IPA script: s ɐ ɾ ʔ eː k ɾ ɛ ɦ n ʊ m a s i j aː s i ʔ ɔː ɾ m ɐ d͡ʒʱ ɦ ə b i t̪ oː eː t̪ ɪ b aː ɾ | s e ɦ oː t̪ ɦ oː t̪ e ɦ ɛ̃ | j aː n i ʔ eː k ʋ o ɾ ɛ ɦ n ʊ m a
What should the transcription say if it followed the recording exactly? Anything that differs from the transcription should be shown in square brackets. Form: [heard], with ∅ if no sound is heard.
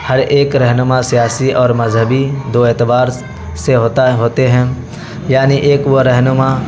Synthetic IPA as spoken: [h] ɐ ɾ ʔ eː k ɾ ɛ ɦ n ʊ m a s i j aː s i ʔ ɔː ɾ m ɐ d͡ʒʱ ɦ ə b i [d̪] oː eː t̪ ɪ b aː ɾ | s e ɦ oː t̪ ɦ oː t̪ e ɦ ɛ̃ | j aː n i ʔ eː k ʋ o ɾ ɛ ɦ n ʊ m a

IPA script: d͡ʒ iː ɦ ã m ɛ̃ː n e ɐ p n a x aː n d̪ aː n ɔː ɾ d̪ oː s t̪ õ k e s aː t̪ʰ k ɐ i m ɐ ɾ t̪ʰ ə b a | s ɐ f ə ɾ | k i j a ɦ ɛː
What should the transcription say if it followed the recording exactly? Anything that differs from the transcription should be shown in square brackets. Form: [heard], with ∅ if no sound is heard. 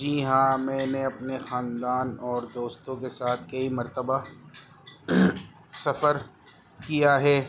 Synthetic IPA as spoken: d͡ʒ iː ɦ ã m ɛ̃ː n e ɐ p n [e] x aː n d̪ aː n ɔː ɾ d̪ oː s t̪ õ k e s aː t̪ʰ k ɐ i m ɐ ɾ [t̪] ə b a | s ɐ f ə ɾ | k i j a ɦ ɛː

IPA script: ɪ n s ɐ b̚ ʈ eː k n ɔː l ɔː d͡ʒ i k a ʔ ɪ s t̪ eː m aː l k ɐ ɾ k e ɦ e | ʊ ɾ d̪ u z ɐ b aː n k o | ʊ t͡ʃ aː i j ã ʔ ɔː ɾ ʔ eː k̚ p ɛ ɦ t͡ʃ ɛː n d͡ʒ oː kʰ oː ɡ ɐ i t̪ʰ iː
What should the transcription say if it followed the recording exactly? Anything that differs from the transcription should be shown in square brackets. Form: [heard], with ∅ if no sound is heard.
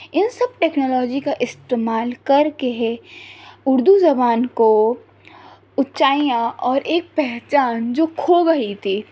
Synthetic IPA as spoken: ɪ n s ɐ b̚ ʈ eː k n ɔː l ɔː d͡ʒ i k a ʔ ɪ s t̪ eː m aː l k ɐ ɾ k e ɦ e | ʊ ɾ d̪ u z ɐ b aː n k o | ʊ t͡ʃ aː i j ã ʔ ɔː ɾ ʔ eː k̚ p ɛ ɦ t͡ʃ [aː] n d͡ʒ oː kʰ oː ɡ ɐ i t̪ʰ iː

